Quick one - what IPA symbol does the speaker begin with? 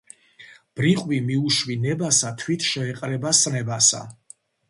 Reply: b̥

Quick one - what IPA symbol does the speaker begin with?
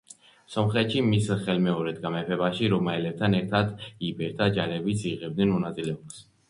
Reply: s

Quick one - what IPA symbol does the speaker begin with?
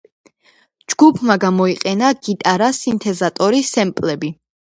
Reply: d͡ʒ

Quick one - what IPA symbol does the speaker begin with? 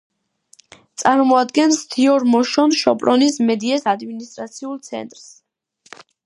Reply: t̪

